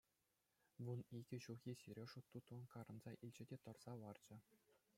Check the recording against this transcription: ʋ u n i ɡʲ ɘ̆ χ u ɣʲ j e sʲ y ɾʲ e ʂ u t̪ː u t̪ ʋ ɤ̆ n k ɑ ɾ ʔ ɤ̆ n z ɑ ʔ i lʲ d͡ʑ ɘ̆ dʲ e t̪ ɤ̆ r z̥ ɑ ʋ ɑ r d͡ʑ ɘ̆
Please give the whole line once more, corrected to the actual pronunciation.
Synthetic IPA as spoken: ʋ u n i ɡʲ ɘ̆ ɕ u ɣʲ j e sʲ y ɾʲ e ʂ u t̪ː u t̪ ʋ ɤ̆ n k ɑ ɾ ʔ ɤ̆ n z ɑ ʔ i lʲ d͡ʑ ɘ̆ dʲ e t̪ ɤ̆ r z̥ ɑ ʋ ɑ r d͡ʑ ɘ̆

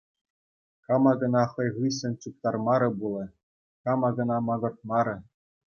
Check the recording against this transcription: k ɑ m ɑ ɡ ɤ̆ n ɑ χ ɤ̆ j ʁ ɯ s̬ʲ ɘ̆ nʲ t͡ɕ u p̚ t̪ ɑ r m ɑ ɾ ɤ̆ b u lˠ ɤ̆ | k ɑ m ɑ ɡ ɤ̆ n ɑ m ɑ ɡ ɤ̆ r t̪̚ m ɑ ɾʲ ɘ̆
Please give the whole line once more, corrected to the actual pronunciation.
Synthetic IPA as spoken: k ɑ m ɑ ɡ ɤ̆ n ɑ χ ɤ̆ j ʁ ɯ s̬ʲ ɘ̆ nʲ t͡ɕ u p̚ t̪ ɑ r m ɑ ɾ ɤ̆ b u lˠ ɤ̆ | k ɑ m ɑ ɡ ɤ̆ n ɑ m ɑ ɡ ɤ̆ r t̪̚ m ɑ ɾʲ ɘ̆

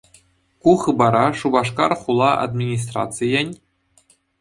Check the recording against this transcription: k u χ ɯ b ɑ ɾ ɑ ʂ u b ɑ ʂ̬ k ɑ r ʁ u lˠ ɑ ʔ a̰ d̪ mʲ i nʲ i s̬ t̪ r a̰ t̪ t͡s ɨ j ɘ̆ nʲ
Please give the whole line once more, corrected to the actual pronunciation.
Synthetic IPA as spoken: k u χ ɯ b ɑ ɾ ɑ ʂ u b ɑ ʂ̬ k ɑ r χ u lˠ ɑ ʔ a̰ d̪ mʲ i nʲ i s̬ t̪ r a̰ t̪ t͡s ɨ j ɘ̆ nʲ

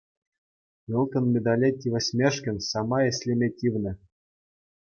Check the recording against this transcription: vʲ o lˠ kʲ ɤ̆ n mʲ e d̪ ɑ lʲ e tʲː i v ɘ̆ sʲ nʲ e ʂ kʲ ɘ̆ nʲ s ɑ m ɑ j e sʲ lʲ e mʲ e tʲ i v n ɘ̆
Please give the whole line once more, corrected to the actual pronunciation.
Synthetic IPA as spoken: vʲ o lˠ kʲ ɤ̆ n mʲ e d̪ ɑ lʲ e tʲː i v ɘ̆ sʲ mʲ e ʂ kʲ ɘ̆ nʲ s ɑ m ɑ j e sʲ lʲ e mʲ e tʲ i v n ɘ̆

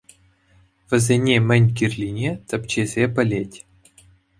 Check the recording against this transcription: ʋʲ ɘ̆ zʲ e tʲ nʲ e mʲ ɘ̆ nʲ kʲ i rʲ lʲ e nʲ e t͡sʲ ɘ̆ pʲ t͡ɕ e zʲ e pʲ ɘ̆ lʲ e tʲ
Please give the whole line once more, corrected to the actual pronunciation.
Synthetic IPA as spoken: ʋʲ ɘ̆ zʲ e nʲ e mʲ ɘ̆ nʲ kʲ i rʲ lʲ i nʲ e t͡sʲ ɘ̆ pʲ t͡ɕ e zʲ e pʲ ɘ̆ lʲ e tʲ

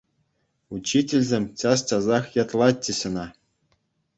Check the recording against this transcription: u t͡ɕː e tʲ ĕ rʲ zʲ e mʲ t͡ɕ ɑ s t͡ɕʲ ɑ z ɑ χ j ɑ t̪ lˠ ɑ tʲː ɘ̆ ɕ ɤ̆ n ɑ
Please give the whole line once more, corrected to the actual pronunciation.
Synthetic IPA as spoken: u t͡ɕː i tʲ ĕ lʲ zʲ e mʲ t͡ɕ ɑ s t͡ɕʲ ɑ z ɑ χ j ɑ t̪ lˠ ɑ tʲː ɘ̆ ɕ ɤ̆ n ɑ

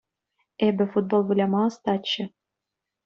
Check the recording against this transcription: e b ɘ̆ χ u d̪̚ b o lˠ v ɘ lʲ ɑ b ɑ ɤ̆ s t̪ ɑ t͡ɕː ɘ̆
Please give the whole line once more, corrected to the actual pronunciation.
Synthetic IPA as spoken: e b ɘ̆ f u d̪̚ b o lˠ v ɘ lʲ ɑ m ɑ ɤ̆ s t̪ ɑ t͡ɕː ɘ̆

